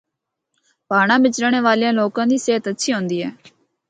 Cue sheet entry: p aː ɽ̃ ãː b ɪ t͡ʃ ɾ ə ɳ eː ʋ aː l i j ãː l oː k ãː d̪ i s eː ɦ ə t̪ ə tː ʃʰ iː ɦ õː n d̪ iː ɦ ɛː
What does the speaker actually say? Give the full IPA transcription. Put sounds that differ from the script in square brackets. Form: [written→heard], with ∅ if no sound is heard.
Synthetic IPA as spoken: p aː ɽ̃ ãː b ɪ t͡ʃ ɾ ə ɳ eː ʋ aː l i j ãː l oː k ãː d̪ [i→iː] s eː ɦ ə t̪ ə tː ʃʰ iː ɦ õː n d̪ iː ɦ ɛː